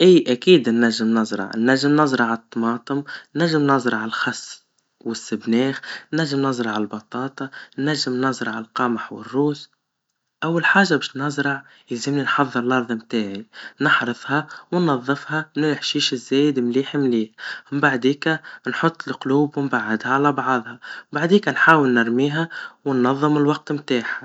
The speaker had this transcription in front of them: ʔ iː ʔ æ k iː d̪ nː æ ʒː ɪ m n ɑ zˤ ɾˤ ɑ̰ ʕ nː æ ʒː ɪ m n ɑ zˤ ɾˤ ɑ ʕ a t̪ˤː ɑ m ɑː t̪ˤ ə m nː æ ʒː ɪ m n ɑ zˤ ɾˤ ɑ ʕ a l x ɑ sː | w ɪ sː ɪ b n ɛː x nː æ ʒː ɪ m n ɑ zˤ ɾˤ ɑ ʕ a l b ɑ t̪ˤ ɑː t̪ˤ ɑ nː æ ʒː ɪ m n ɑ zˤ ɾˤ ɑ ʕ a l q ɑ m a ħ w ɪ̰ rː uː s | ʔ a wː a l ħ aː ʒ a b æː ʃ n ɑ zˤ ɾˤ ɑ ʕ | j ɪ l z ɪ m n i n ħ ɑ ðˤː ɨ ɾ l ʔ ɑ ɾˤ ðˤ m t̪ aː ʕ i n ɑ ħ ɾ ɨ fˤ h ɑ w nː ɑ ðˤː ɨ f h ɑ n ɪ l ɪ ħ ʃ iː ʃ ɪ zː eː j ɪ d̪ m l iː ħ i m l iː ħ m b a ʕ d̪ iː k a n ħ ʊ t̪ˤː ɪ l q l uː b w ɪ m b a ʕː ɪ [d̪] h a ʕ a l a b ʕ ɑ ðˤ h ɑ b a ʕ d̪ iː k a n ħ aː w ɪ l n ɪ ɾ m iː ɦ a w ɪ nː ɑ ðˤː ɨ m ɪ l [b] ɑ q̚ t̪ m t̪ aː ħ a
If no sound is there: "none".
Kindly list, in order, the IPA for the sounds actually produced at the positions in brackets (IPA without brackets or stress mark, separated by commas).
d̪, w